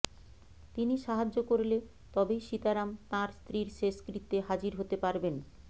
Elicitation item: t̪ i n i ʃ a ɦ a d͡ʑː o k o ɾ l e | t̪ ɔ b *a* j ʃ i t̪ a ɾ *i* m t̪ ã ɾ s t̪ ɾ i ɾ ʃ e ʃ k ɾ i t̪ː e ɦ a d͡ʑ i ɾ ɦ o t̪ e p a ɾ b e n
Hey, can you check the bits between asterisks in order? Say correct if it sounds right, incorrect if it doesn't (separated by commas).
incorrect, incorrect